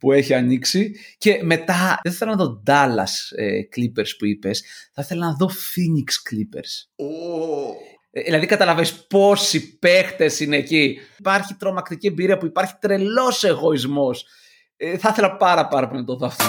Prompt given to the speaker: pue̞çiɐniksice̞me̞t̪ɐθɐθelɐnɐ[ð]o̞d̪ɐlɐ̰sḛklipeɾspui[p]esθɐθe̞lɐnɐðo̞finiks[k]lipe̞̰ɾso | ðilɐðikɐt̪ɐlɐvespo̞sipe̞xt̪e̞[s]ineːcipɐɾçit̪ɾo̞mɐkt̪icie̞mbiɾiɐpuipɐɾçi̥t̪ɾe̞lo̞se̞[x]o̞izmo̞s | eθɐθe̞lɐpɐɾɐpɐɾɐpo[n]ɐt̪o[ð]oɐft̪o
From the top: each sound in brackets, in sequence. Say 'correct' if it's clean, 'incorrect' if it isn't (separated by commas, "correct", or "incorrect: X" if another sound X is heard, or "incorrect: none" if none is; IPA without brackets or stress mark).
correct, correct, correct, correct, incorrect: ɣ, correct, correct